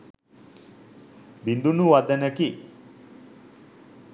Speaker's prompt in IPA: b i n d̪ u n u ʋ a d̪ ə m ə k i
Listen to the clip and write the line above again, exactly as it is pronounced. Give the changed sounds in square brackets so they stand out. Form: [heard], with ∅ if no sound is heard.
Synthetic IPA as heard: b i n d̪ u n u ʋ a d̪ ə [n] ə k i